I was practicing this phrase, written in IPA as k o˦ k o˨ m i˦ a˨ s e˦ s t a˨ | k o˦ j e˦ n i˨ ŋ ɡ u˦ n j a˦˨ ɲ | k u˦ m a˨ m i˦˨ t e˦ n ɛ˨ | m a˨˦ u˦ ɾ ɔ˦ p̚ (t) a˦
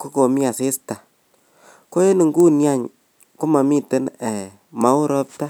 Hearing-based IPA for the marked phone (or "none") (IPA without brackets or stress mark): t